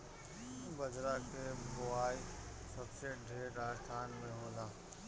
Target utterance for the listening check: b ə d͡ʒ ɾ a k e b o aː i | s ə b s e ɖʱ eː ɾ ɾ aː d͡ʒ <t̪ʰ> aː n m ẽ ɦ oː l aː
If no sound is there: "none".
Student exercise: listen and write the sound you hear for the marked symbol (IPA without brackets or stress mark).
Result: t̪ʰ